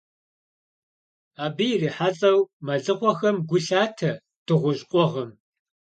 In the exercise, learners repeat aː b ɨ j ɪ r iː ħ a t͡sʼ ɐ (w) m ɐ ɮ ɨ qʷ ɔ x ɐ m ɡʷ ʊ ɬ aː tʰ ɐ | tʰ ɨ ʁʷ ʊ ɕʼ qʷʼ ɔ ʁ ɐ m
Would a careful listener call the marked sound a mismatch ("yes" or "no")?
no